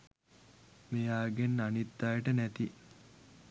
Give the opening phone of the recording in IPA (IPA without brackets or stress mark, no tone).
m